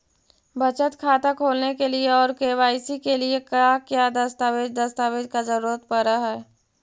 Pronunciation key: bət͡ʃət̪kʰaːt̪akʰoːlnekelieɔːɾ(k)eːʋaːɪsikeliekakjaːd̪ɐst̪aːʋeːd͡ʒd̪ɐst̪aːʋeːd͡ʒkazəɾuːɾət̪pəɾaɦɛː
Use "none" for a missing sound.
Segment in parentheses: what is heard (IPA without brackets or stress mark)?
k